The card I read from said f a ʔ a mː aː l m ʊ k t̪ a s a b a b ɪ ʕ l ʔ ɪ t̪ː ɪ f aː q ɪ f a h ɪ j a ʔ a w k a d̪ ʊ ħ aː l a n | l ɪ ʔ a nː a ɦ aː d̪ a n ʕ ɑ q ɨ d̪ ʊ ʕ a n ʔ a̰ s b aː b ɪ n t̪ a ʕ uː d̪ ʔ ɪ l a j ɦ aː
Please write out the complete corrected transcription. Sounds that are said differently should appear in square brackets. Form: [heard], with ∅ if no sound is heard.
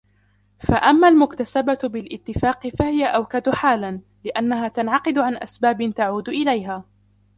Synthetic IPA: f a ʔ a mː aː l m ʊ k t̪ a s a b a b ɪ [∅] l ʔ ɪ t̪ː ɪ f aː q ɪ f a h ɪ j a ʔ a w k a d̪ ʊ ħ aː l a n | l ɪ ʔ a nː a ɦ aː [t̪] a n ʕ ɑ q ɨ d̪ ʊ ʕ a n ʔ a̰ s b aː b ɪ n t̪ a ʕ uː d̪ ʔ ɪ l a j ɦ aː